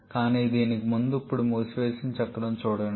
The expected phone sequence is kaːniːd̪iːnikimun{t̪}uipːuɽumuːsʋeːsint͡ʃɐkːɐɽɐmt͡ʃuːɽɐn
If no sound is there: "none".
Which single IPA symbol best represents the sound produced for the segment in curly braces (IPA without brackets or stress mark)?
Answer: d̪